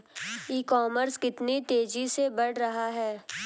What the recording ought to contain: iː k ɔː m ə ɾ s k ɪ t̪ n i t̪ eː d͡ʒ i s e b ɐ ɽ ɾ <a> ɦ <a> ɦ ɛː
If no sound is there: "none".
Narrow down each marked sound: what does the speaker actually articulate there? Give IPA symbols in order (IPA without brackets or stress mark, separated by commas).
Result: ɐ, a